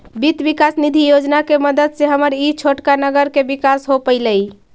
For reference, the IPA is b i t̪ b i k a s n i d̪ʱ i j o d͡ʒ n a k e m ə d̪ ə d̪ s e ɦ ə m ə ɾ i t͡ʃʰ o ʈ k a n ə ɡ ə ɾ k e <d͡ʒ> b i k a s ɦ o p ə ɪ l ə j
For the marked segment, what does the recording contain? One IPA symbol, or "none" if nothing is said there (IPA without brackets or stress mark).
none